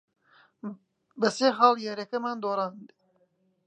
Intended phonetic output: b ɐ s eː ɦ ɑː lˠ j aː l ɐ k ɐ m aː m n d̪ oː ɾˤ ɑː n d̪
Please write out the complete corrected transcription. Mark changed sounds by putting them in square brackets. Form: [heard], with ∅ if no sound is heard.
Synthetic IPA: b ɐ s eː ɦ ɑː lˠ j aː [ɾ] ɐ k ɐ m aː [∅] n d̪ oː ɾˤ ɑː n d̪